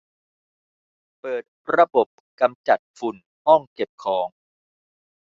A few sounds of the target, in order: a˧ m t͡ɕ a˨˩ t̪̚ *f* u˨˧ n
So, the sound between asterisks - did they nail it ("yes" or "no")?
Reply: yes